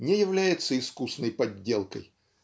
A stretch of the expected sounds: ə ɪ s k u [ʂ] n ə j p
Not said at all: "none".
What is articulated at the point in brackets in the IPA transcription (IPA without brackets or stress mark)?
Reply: s